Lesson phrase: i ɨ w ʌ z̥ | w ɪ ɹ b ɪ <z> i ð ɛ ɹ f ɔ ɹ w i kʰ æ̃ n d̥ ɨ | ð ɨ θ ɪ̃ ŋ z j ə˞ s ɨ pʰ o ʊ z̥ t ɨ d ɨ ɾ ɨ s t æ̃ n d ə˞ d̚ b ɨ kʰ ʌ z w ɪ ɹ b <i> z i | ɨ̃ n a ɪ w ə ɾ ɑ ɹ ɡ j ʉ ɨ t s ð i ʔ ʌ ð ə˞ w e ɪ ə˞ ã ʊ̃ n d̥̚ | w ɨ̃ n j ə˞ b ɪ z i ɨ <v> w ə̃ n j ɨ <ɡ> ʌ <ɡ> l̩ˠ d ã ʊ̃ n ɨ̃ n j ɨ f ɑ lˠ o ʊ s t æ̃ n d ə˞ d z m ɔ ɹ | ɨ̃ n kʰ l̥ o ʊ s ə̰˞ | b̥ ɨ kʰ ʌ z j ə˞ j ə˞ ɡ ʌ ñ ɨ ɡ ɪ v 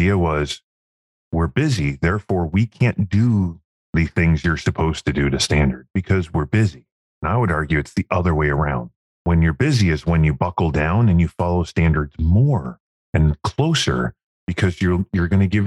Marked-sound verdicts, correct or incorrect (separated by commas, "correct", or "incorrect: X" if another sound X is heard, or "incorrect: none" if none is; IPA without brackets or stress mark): correct, incorrect: ɪ, incorrect: z, incorrect: b, incorrect: k